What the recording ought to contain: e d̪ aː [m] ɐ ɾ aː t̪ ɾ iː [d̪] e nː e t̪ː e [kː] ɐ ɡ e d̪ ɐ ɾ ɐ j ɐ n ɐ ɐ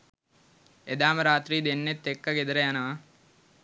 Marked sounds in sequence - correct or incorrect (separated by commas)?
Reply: correct, correct, correct